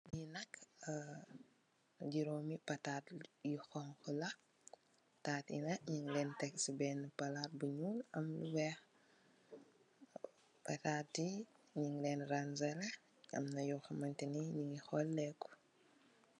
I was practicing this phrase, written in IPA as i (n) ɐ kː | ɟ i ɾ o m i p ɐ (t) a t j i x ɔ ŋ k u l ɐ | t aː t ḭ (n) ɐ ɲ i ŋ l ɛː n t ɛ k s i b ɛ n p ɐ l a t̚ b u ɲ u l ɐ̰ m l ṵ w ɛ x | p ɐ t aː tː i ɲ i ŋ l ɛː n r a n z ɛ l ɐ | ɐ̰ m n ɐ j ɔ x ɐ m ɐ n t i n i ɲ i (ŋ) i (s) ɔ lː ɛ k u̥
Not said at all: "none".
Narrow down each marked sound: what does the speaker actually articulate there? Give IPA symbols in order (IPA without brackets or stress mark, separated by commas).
n, t, n, ŋ, x